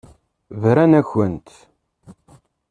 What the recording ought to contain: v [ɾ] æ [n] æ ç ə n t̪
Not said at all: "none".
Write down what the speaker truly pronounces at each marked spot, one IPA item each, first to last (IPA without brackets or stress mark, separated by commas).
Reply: ɾ, n